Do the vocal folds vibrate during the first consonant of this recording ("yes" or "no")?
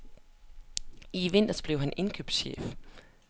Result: yes